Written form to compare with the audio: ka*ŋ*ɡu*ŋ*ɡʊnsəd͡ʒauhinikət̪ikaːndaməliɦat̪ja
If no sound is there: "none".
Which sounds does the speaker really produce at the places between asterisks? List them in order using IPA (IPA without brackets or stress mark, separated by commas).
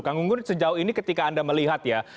ŋ, ŋ